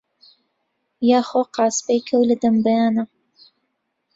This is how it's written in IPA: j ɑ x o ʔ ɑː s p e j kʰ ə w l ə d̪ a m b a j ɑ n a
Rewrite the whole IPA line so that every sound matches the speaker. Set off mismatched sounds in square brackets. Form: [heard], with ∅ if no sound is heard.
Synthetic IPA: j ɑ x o [q] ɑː s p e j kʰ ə w l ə d̪ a m b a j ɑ n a